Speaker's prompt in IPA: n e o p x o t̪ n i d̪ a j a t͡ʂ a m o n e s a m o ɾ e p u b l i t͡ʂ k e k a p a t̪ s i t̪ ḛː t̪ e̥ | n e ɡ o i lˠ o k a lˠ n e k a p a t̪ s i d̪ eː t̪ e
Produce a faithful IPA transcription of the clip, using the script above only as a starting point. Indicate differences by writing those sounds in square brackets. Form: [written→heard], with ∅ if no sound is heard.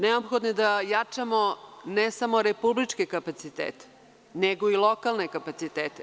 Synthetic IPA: n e o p x o [t̪→d̪] n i d̪ a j a t͡ʂ a m o n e s a m o ɾ e p u b l i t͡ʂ k e k a p a t̪ s i t̪ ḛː t̪ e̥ | n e ɡ o i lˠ o k a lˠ n e k a p a t̪ s i [d̪→t̪] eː t̪ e